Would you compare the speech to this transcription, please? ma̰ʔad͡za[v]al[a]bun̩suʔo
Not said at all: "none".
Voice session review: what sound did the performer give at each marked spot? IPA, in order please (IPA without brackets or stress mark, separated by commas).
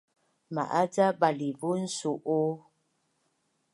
b, i